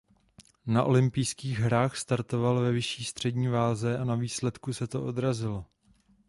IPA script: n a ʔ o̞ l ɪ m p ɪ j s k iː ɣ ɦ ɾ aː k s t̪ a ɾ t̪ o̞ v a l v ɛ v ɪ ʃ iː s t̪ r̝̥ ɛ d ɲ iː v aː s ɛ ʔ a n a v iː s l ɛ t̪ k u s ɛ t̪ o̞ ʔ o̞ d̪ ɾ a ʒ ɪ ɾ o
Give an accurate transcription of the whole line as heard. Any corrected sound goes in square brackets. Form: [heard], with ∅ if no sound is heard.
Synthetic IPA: n a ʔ o̞ l ɪ m p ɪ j s k iː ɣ ɦ ɾ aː [x] s t̪ a ɾ t̪ o̞ v a l v ɛ v ɪ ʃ iː s t̪ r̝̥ ɛ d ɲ iː v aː [z] ɛ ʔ a n a v iː s l ɛ t̪ k u s ɛ t̪ o̞ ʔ o̞ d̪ ɾ a [z] ɪ [l] o